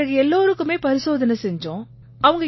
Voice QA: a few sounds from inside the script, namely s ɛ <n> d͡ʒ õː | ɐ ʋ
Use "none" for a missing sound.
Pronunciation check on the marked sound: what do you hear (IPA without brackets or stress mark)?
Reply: ɲ